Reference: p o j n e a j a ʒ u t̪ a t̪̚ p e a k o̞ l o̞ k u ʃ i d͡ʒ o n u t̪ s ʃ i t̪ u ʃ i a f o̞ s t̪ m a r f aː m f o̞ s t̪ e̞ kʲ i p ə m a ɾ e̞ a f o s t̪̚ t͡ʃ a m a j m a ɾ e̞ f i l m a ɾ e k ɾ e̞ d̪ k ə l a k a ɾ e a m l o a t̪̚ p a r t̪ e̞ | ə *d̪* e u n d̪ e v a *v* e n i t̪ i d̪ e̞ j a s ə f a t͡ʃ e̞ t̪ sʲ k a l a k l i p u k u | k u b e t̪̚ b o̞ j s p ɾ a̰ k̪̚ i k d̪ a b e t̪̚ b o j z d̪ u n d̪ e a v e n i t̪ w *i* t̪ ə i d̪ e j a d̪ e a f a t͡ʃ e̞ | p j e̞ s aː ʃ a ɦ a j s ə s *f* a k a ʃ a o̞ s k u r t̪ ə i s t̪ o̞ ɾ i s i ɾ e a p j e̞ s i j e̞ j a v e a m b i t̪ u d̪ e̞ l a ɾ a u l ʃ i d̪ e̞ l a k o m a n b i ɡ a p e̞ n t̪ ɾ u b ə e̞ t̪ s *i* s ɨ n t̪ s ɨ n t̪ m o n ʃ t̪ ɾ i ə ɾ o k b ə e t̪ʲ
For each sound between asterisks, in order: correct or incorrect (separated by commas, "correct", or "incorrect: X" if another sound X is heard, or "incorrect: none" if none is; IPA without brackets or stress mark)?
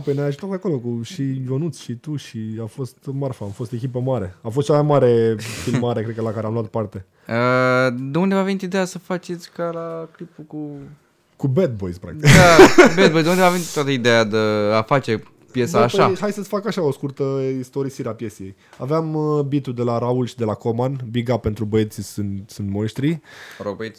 correct, correct, incorrect: a, correct, correct